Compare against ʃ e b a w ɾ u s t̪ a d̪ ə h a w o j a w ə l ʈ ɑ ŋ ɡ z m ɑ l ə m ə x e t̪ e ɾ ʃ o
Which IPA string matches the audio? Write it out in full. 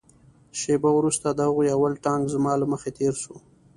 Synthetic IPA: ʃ e b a w ɾ u s t̪ a d̪ ə h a ɣ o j a w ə l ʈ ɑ ŋ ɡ z m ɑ l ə m ə x e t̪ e ɾ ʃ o